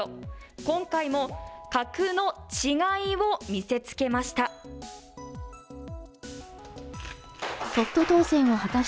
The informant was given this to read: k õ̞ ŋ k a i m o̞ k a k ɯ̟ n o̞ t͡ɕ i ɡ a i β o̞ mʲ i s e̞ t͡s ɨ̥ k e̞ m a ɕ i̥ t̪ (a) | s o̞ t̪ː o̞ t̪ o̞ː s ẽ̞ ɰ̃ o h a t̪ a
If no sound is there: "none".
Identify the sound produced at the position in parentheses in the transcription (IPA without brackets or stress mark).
a